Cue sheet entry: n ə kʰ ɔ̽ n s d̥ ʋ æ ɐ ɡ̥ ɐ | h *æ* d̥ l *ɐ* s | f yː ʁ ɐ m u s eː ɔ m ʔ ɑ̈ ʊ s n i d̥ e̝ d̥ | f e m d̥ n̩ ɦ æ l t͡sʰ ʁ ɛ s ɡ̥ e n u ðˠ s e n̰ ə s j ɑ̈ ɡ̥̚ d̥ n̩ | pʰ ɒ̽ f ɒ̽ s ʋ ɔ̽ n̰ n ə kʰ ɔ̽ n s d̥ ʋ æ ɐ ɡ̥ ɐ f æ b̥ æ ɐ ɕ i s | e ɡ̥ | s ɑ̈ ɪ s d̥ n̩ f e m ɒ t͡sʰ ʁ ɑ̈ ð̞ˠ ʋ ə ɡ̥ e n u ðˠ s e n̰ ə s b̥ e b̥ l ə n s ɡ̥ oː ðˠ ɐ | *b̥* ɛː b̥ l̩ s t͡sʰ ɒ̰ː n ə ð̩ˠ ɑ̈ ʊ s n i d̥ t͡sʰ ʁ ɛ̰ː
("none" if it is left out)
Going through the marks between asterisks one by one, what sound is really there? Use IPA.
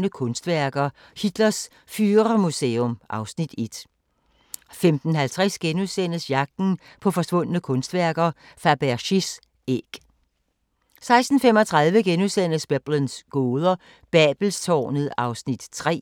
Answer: i, ɐ, b̥

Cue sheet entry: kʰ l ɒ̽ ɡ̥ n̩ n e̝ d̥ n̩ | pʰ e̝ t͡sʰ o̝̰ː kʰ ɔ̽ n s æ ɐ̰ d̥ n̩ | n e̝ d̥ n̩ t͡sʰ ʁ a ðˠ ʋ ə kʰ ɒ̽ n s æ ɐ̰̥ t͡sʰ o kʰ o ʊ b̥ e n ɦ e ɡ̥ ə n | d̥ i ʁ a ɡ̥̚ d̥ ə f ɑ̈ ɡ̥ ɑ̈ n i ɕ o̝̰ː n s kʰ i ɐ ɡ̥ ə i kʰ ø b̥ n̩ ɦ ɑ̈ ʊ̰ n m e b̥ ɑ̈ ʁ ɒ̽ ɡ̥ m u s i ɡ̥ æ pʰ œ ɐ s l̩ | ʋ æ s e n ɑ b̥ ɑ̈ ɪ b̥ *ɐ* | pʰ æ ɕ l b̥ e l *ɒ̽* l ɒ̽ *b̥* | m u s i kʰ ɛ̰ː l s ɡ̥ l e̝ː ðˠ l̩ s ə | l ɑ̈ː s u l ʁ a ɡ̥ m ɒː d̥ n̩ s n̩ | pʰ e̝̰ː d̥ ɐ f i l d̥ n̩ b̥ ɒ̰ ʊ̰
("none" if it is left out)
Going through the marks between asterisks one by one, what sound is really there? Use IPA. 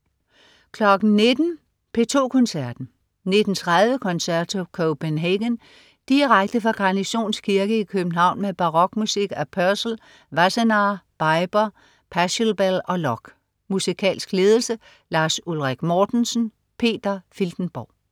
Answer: ɐ, ɒ̽, ɡ̥

